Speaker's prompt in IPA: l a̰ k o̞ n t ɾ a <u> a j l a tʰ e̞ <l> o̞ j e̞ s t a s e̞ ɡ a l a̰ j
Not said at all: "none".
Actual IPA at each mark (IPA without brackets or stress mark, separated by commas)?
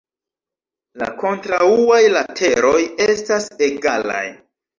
u, ɾ